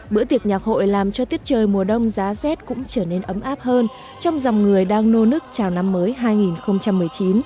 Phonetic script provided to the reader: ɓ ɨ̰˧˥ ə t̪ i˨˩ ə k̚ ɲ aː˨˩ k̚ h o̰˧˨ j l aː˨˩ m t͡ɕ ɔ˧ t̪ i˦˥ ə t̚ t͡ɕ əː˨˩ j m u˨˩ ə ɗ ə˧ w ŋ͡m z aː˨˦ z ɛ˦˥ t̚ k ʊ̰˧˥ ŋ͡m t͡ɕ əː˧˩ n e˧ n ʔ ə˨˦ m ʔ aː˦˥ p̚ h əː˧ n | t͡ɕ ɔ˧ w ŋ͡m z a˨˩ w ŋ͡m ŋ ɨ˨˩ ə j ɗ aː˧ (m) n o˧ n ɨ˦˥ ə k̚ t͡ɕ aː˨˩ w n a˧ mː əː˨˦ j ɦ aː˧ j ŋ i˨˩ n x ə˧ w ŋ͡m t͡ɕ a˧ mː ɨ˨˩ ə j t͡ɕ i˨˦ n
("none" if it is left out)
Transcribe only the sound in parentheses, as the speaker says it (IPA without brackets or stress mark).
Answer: ŋ